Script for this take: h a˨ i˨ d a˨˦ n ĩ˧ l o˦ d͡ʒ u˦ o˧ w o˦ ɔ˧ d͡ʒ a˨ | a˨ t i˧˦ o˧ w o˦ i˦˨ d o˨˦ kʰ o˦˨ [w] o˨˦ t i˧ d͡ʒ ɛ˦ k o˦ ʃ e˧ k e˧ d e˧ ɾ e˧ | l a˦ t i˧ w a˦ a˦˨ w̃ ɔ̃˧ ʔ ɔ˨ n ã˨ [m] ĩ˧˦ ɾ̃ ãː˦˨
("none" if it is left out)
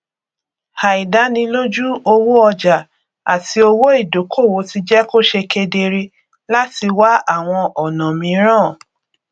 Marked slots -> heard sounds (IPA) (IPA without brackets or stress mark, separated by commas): w, m